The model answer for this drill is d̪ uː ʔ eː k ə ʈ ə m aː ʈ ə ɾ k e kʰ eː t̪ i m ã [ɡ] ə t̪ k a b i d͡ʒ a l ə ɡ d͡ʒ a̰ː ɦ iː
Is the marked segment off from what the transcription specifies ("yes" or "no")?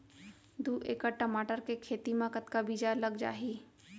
yes